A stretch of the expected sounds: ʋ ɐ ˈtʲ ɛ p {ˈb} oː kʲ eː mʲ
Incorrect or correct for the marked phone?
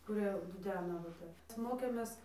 incorrect: m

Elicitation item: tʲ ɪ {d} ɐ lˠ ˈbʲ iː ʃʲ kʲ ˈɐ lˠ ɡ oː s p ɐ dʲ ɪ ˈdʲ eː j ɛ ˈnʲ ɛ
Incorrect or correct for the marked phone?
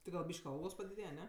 incorrect: ɡ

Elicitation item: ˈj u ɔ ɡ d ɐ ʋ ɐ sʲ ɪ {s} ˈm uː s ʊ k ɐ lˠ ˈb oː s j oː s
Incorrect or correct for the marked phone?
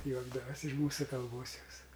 incorrect: ʃ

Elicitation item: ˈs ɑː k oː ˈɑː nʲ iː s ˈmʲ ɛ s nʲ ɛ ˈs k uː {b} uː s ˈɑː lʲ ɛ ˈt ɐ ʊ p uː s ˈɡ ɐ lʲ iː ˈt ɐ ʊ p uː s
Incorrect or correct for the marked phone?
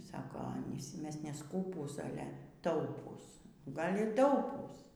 incorrect: p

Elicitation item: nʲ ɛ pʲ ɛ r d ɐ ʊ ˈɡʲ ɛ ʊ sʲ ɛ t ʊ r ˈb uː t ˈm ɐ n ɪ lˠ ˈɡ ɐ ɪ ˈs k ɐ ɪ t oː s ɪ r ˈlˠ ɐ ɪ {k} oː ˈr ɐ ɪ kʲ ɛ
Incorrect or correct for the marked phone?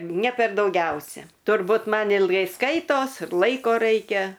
correct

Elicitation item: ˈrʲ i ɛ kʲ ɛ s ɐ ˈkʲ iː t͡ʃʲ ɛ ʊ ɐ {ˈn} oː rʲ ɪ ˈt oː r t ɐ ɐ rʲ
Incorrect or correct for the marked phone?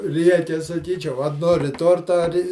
correct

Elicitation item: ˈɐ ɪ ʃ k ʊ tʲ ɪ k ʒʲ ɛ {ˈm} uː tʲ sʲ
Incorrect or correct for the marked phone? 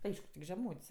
correct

